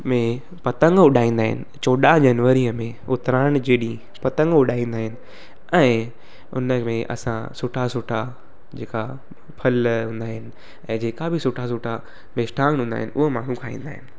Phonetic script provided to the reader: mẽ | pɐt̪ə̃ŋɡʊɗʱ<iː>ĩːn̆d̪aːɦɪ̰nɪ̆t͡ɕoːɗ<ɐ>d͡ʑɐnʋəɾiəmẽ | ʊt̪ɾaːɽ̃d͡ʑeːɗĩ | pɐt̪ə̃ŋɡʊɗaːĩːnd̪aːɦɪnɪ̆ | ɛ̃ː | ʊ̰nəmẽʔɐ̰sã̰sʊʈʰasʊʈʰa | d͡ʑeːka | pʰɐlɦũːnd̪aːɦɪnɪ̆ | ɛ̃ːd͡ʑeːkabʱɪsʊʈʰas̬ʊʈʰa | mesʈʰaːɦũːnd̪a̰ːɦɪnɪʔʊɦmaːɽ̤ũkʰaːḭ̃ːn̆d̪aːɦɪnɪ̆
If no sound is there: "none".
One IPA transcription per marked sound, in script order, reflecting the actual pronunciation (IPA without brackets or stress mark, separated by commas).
aː, a